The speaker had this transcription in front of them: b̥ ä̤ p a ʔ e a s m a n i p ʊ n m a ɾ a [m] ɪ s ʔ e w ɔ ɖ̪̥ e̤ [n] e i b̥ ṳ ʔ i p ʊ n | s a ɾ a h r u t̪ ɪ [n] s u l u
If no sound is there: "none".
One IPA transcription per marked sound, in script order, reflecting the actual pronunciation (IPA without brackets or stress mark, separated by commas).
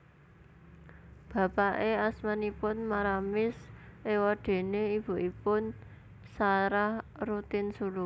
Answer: m, n, n